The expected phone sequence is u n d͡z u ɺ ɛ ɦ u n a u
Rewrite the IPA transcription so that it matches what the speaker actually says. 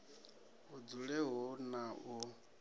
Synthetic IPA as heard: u d͡z u ɺ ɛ ɦ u n a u